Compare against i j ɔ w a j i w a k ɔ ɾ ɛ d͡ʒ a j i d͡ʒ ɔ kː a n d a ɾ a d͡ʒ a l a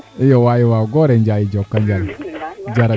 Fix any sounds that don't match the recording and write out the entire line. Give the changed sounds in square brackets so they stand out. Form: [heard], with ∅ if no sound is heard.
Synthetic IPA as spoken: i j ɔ w a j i w a [ɡ] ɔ ɾ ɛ d͡ʒ a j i d͡ʒ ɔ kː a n [d͡ʒ] a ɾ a d͡ʒ a [ɾ] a